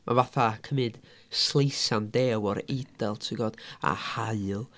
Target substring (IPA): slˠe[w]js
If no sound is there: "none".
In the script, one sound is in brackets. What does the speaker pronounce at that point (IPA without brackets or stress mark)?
none